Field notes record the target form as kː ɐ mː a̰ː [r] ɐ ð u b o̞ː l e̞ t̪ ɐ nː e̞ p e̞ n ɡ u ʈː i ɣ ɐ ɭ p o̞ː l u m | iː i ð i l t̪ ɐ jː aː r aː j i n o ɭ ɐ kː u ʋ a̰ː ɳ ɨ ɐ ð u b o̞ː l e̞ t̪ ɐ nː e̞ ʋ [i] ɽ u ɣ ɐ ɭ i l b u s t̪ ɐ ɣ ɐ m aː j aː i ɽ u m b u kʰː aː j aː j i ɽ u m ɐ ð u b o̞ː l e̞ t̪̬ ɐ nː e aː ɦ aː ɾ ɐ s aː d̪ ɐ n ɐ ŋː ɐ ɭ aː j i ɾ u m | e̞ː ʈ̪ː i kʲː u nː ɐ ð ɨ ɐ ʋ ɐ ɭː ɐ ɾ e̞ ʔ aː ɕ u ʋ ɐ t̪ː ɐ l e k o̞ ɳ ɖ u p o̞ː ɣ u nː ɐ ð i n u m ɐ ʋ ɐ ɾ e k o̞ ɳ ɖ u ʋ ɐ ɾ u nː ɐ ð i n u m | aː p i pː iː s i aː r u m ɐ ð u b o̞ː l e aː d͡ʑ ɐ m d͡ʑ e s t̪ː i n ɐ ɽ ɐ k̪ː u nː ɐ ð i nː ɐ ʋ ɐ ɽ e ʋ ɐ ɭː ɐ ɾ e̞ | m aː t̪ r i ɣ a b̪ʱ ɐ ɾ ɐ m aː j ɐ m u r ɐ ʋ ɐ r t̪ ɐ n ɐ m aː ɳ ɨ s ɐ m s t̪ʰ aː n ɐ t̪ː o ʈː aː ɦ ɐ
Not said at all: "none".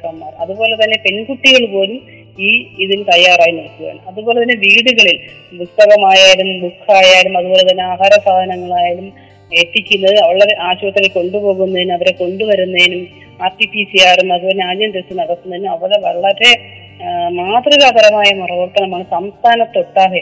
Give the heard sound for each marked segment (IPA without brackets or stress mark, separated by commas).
r, iː